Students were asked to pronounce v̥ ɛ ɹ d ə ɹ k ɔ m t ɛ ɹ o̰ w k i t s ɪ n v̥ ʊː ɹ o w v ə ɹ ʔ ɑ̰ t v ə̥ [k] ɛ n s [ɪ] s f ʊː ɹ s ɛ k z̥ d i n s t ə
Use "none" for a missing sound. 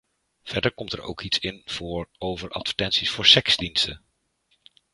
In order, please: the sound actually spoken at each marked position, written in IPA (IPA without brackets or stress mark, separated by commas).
t, i